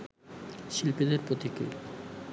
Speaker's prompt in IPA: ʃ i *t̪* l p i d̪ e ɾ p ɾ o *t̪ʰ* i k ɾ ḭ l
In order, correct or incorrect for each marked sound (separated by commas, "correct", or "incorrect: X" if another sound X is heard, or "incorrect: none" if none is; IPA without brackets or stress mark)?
incorrect: none, incorrect: t̪